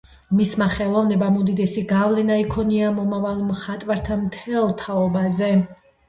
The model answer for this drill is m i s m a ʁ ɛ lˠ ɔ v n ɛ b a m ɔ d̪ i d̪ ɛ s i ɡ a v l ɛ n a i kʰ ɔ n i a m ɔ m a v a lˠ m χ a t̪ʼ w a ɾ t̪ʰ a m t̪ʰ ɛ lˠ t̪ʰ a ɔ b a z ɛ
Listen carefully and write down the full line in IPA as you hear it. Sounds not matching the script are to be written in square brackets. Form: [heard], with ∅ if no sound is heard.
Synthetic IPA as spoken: m i s m a [χ] ɛ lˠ ɔ v n ɛ b a m [u] d̪ i d̪ ɛ s i ɡ a v l ɛ n a i kʰ ɔ n i a m ɔ m a v a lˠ m χ a t̪ʼ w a ɾ t̪ʰ a m t̪ʰ ɛ lˠ t̪ʰ a ɔ b a z ɛ